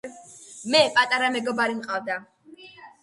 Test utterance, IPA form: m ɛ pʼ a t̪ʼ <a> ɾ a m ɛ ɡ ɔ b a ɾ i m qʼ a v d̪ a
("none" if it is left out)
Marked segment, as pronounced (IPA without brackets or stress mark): a